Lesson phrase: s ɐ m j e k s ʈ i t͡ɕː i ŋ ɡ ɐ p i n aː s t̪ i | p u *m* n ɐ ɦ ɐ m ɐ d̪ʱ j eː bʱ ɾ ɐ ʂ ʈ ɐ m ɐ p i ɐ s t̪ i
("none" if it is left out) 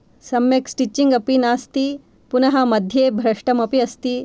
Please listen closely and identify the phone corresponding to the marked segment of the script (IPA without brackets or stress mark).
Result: none